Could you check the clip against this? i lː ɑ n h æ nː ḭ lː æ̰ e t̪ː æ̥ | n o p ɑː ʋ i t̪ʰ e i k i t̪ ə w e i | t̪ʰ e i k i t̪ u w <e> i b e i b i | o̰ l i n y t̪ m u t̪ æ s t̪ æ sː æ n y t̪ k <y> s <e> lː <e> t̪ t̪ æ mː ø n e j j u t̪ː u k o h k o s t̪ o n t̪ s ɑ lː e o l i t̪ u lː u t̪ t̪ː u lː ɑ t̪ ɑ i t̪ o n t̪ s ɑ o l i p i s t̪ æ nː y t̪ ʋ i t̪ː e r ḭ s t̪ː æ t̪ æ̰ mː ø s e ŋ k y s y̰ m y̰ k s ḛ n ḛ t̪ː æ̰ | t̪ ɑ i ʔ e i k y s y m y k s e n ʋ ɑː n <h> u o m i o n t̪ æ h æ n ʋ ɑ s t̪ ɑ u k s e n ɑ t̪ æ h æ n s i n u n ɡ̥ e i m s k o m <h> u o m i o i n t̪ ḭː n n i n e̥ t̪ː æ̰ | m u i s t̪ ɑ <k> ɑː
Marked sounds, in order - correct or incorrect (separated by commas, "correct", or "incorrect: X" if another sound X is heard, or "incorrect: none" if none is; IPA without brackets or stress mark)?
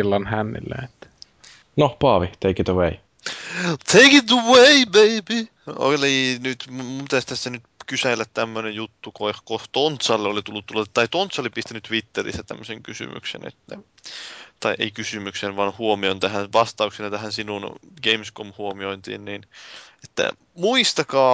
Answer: correct, correct, incorrect: æ, incorrect: æ, correct, correct, correct